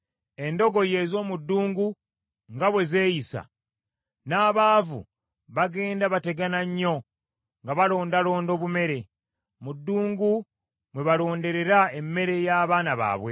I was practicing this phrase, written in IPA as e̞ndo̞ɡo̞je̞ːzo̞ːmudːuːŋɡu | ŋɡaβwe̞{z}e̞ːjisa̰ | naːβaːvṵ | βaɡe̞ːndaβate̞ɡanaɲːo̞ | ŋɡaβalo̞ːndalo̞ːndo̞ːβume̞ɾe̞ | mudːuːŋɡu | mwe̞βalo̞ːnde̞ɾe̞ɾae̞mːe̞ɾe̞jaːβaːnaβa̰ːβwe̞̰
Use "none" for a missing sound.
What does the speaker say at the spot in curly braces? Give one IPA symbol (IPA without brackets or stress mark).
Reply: z